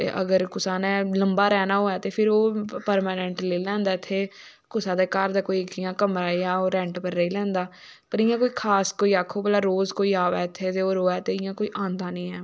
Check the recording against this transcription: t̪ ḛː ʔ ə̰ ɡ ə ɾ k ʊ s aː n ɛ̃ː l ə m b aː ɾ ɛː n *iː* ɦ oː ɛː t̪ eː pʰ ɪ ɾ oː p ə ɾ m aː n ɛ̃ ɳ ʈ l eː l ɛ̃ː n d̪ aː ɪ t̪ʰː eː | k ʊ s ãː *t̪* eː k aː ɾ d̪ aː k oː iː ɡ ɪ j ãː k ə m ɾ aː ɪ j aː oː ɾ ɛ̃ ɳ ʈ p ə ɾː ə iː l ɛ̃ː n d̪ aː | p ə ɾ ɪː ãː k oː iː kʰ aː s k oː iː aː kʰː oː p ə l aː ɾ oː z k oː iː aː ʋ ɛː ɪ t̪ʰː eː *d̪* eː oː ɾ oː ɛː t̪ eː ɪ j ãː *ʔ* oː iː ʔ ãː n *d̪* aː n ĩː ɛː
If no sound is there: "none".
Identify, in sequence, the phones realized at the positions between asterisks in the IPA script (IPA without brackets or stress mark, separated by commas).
aː, d̪, t̪, k, d̪